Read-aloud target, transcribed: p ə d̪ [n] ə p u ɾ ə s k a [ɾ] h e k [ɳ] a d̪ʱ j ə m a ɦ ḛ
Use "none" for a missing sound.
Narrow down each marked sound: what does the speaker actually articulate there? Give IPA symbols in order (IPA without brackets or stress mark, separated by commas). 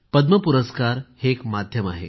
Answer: m, ɾ, m